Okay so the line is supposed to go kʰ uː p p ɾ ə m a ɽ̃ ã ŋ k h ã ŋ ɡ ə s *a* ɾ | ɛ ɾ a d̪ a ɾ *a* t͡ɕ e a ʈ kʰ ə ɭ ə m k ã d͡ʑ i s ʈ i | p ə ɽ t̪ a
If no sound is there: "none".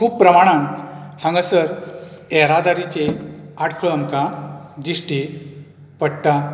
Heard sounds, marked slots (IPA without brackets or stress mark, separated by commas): ə, i